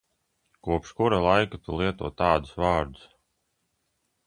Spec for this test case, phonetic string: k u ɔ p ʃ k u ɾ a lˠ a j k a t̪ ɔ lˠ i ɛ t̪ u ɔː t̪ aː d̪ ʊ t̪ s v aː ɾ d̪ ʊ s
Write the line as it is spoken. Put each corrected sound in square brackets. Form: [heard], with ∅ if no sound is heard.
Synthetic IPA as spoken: k u ɔ p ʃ k u ɾ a lˠ a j k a t̪ [u] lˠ i ɛ t̪ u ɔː t̪ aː d̪ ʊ [∅] s v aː ɾ d̪ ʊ s